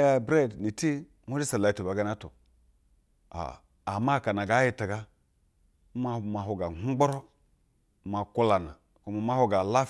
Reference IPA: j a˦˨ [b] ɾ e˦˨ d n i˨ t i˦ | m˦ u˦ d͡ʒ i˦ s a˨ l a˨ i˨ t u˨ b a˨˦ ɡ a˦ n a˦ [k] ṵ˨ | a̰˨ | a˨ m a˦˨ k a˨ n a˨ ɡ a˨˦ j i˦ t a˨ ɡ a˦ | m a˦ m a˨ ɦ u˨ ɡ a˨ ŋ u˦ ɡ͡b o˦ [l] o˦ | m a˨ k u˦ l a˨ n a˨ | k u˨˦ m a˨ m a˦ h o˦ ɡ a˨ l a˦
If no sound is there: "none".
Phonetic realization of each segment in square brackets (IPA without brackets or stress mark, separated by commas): b, t, ɾ